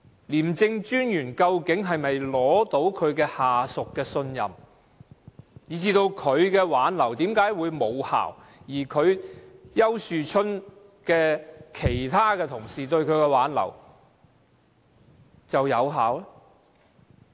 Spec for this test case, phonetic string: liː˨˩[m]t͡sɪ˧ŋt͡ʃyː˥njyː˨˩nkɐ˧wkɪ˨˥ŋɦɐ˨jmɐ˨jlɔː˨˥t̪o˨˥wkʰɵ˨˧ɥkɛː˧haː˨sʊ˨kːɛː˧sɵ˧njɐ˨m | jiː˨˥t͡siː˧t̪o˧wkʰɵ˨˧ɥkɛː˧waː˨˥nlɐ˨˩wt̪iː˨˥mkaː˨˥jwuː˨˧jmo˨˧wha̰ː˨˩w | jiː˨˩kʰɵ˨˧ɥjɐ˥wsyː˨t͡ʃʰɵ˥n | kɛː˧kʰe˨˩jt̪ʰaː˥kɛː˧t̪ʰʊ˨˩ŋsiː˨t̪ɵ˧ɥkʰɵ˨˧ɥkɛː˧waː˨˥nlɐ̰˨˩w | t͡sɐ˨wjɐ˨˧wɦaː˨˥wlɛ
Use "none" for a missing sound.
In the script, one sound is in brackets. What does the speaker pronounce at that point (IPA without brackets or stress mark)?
m